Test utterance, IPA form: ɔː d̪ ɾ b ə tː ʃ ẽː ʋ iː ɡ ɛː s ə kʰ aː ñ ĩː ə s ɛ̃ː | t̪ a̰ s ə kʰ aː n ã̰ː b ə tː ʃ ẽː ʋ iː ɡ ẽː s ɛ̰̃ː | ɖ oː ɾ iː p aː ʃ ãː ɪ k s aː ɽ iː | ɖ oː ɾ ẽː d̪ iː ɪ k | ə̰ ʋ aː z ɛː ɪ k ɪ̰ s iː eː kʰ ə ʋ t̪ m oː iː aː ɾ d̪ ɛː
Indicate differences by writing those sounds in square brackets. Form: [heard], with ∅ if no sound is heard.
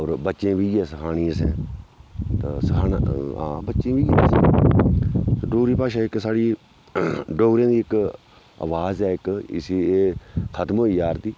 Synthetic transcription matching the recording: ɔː [∅] ɾ b ə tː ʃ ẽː ʋ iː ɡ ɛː s ə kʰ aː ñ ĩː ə s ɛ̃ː | t̪ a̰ s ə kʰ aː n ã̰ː b ə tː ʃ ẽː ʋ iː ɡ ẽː s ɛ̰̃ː | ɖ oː ɾ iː p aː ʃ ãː ɪ k s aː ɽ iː | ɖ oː ɾ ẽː d̪ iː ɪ k | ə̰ ʋ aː z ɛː ɪ k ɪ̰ s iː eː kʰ ə [∅] t̪ m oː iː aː ɾ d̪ [iː]